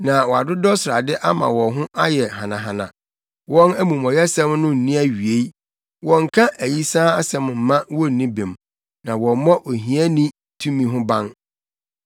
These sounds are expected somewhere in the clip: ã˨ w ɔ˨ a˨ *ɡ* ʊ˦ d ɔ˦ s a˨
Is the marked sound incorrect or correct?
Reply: incorrect